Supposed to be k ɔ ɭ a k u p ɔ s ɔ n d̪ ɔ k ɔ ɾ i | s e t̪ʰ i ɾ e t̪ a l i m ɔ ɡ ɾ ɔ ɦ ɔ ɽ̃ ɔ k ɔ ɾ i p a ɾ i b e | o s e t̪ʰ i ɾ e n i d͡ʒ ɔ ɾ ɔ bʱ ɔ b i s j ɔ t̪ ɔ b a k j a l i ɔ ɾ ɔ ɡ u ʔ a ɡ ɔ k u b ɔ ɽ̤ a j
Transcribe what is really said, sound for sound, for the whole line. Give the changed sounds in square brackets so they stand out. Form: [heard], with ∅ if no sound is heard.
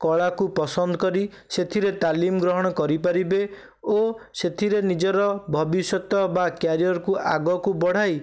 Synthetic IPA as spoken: k ɔ ɭ a k u p ɔ s ɔ n d̪ ɔ k ɔ ɾ i | s e t̪ʰ i ɾ e t̪ a l i m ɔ ɡ ɾ ɔ ɦ ɔ ɽ̃ ɔ k ɔ ɾ i p a ɾ i b e | o s e t̪ʰ i ɾ e n i d͡ʒ ɔ ɾ ɔ bʱ ɔ b i s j ɔ t̪ ɔ b a k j a [ɾ] i ɔ ɾ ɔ [k] u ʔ a ɡ ɔ k u b ɔ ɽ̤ a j